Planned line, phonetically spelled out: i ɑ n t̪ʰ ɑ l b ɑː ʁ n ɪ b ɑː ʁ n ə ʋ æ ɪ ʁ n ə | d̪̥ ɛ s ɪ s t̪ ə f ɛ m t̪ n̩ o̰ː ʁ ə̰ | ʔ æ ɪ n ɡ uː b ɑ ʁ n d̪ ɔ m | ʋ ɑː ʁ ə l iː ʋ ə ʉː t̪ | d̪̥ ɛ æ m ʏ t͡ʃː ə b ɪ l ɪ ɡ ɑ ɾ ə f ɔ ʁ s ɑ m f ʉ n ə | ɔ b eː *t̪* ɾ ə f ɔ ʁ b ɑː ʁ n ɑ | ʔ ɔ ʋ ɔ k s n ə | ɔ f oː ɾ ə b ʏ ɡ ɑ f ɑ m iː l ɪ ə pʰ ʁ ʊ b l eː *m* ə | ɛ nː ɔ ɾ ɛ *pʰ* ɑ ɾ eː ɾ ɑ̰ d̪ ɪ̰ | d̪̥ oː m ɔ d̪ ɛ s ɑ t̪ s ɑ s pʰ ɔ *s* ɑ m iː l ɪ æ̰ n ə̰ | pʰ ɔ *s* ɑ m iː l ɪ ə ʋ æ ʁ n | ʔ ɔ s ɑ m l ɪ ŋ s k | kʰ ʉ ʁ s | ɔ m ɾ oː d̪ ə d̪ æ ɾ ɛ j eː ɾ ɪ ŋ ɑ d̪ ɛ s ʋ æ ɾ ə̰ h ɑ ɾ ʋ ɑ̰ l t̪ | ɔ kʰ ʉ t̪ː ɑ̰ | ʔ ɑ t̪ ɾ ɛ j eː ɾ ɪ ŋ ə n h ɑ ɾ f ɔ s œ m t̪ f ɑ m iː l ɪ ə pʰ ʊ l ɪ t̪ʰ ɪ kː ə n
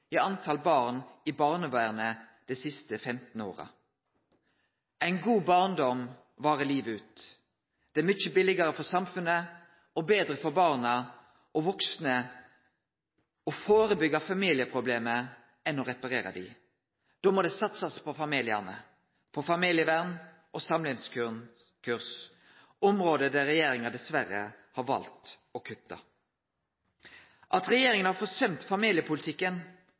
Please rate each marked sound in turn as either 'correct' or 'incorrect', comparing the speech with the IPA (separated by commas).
incorrect, correct, incorrect, incorrect, incorrect